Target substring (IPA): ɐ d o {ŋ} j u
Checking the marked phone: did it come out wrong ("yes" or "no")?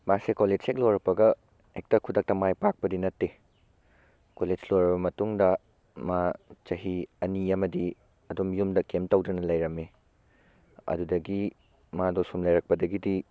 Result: yes